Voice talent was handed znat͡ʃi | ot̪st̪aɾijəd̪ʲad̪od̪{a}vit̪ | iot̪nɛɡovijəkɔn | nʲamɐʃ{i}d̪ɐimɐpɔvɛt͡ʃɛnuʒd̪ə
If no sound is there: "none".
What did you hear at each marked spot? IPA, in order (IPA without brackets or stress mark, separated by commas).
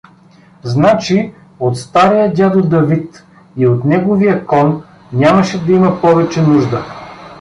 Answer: ɐ, ɛ